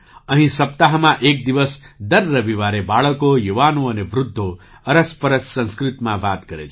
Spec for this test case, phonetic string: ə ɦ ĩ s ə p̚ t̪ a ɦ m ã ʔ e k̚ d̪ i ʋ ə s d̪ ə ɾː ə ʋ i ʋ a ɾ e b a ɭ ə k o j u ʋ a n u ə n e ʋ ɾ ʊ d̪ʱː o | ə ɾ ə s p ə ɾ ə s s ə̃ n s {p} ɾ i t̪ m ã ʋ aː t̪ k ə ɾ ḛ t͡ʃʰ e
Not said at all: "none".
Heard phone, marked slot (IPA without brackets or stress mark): k